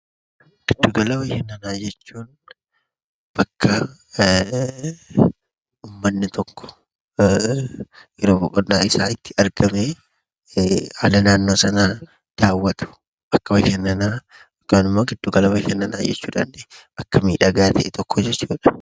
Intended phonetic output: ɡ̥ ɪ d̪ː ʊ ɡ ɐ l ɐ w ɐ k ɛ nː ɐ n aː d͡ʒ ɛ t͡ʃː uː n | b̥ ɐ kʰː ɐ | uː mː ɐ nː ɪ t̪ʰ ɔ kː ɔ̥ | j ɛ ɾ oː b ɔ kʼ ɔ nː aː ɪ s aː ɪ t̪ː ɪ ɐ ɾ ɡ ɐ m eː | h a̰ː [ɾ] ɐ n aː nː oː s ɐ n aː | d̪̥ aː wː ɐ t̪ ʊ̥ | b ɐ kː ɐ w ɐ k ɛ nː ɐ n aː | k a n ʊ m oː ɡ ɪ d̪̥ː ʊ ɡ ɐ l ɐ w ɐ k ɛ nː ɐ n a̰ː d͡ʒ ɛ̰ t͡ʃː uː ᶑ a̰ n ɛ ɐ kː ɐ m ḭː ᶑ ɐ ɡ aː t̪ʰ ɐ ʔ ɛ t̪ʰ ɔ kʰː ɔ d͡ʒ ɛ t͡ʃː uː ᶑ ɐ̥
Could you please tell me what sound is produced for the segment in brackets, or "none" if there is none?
l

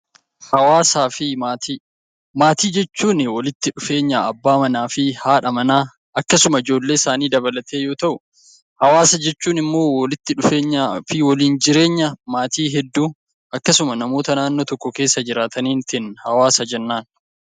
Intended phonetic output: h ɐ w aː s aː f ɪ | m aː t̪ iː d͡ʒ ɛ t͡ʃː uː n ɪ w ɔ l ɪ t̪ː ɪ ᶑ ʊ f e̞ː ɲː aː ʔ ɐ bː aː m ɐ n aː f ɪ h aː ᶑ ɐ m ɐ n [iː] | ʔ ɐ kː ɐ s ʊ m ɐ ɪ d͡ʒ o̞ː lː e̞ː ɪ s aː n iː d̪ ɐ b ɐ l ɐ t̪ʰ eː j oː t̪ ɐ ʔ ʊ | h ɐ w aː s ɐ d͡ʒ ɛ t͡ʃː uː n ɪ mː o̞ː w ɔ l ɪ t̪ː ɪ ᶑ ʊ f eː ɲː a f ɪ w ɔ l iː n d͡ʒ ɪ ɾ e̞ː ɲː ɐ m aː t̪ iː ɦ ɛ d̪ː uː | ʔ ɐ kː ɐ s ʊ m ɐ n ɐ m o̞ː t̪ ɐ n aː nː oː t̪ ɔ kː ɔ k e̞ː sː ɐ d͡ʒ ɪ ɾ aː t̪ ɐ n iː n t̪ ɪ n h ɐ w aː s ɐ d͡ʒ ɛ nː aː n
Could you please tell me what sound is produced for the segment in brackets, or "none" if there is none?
aː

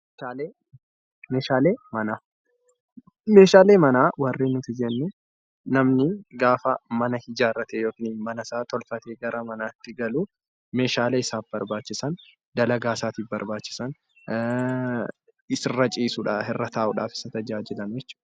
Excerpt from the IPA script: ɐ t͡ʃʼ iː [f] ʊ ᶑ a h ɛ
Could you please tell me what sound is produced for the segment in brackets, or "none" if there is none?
s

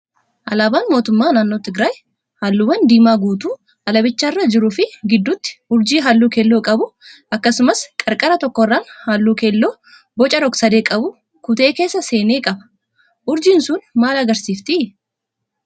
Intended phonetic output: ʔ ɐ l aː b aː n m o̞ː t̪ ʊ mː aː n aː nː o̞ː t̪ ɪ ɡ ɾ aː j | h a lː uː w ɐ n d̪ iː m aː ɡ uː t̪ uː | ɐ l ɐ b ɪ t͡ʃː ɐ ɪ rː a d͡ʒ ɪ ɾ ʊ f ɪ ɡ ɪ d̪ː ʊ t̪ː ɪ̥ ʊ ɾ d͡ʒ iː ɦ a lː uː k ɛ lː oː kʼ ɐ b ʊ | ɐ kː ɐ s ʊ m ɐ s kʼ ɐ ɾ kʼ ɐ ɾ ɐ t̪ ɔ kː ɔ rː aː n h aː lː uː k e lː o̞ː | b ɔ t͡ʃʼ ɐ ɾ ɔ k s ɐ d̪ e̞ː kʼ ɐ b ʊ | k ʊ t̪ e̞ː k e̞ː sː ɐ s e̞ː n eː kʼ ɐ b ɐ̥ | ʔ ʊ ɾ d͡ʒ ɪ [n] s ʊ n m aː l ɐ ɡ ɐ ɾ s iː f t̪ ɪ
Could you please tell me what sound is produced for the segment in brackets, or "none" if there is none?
n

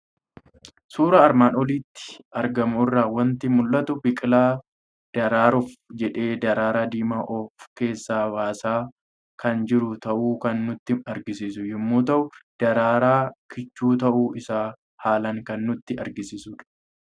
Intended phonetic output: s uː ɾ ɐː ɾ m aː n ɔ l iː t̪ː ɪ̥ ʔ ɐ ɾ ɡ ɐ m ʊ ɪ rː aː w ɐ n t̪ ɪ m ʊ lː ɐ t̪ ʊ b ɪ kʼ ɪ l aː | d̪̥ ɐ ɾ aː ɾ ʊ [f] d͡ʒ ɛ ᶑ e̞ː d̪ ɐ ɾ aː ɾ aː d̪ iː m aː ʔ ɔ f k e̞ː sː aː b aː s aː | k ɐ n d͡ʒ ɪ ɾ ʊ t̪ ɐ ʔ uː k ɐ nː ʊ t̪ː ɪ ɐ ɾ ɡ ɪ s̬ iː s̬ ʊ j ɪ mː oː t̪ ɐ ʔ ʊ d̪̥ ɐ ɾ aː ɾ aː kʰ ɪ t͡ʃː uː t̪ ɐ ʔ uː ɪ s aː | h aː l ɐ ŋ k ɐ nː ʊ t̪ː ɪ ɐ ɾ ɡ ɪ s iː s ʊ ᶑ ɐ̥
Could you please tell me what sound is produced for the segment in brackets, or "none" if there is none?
f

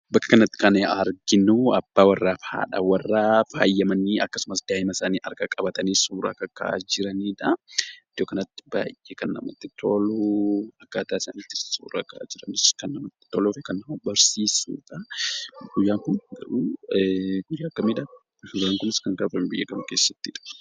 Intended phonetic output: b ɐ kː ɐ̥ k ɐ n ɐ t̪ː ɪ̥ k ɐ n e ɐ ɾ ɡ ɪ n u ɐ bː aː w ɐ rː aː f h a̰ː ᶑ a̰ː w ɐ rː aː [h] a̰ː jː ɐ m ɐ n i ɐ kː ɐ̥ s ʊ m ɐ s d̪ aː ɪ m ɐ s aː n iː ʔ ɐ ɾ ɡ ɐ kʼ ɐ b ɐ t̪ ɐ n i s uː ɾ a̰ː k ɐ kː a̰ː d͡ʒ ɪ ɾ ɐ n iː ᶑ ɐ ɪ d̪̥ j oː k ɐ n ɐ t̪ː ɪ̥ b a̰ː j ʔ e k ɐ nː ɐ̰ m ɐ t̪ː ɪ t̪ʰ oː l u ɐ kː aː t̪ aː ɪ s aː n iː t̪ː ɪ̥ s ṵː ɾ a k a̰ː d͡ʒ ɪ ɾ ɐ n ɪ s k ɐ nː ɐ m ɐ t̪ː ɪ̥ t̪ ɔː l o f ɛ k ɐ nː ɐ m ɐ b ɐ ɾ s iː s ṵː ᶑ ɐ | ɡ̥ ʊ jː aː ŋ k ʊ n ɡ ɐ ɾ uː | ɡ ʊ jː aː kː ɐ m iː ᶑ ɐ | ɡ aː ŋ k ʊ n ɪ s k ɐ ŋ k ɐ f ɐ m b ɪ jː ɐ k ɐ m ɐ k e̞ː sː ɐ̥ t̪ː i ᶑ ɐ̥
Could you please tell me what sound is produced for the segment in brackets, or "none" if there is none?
f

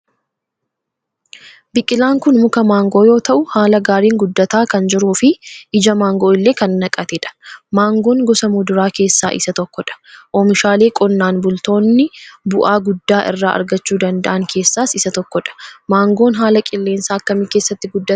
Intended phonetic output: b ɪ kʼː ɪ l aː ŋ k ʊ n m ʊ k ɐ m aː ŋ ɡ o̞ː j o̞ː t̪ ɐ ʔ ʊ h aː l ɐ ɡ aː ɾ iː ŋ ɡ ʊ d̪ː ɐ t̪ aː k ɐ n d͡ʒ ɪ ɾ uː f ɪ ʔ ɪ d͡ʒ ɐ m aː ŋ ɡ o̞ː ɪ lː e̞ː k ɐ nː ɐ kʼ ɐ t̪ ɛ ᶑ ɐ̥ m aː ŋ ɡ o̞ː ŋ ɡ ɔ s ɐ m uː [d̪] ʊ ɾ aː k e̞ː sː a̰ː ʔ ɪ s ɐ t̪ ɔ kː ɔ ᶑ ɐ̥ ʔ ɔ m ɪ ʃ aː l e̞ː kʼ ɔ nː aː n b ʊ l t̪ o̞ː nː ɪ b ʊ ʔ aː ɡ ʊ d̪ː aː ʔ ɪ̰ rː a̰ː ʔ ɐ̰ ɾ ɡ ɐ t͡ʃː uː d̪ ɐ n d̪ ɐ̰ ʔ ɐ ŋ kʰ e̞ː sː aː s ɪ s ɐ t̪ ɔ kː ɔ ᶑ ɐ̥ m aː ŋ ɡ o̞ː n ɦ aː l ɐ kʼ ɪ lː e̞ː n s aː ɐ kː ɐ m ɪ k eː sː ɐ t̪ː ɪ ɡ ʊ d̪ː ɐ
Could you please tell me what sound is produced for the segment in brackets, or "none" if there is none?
d̪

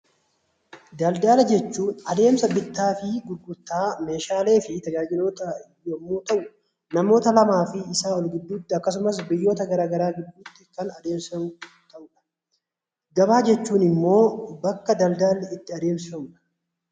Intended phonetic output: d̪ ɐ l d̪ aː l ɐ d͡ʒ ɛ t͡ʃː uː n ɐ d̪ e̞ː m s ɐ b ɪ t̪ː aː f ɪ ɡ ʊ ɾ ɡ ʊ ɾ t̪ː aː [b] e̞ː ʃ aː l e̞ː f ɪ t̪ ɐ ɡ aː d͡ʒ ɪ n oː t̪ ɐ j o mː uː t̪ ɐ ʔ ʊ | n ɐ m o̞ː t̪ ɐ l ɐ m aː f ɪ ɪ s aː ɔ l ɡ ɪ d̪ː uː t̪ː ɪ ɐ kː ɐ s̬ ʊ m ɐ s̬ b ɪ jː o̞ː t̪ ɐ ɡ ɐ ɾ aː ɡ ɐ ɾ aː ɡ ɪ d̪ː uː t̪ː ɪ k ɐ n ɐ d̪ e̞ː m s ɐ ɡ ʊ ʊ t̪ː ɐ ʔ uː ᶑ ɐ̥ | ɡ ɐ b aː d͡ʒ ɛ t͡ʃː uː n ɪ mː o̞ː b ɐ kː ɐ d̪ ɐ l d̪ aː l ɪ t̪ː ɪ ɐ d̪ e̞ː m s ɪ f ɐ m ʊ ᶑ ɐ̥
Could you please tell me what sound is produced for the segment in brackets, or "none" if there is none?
m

